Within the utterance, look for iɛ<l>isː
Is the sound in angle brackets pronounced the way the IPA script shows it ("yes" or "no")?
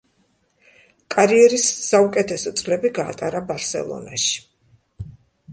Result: no